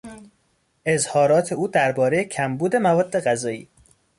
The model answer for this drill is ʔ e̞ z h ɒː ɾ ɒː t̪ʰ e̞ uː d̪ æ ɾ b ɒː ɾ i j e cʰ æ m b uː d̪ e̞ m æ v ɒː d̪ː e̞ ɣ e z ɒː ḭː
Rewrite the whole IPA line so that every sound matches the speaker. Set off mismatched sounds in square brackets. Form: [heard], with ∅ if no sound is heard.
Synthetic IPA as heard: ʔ e̞ z h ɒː ɾ ɒː t̪ʰ e̞ uː d̪ æ ɾ b ɒː ɾ [e] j e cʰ æ m b uː d̪ e̞ m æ v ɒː d̪ː e̞ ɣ [æ] z ɒː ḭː